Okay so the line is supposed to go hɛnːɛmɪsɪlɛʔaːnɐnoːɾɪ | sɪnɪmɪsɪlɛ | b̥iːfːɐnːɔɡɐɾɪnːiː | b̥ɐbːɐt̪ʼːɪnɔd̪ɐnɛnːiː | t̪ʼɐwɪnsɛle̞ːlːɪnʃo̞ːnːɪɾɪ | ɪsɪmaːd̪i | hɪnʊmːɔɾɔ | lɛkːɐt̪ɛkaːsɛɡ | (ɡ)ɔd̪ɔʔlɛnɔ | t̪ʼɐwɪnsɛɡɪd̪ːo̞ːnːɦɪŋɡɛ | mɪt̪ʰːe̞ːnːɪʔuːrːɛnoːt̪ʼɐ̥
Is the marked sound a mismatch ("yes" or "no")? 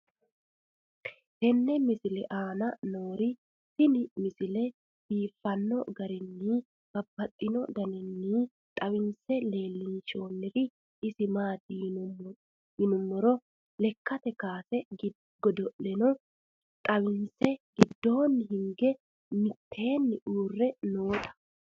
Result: no